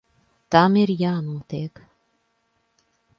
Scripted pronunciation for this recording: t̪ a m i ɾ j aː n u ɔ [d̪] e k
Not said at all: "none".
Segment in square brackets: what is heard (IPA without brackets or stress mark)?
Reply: t̪